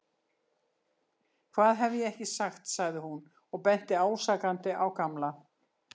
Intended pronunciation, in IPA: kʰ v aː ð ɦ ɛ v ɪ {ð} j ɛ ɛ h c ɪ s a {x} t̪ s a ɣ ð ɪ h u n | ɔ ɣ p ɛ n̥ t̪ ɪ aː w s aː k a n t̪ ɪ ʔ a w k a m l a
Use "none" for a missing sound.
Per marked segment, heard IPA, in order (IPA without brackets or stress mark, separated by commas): none, x